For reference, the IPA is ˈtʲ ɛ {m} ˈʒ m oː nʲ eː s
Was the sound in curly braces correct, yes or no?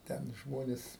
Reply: no